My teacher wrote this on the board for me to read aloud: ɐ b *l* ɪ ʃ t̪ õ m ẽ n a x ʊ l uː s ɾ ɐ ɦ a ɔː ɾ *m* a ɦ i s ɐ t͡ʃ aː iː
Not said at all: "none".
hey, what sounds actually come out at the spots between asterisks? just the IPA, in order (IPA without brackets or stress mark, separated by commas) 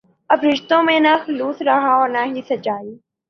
ɾ, n